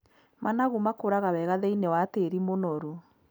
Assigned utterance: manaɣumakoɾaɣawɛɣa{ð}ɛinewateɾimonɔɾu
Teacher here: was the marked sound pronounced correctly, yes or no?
yes